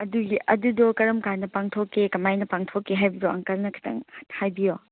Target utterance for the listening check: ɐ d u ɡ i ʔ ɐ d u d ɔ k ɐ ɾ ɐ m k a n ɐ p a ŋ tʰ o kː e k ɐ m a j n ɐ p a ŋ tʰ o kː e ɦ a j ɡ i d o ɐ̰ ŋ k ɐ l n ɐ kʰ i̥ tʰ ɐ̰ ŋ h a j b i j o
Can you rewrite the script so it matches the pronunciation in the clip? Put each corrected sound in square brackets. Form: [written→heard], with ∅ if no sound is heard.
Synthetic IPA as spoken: ɐ d u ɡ i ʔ ɐ d u d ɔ k ɐ ɾ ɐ m k a n ɐ p a ŋ tʰ o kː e k ɐ m a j n ɐ p a ŋ tʰ o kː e ɦ a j [ɡ→b] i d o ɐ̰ ŋ k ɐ l n ɐ kʰ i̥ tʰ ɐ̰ ŋ h a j b i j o